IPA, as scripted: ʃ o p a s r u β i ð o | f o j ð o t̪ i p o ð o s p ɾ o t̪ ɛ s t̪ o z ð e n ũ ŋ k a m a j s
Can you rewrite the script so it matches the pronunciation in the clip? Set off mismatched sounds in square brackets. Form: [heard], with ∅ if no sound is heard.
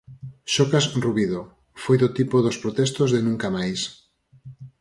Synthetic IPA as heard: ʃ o [k] a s r u β i ð o | f o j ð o t̪ i p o ð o s p ɾ o t̪ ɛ s t̪ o z ð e n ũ ŋ k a m a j s